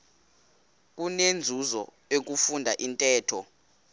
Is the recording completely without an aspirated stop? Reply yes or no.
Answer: no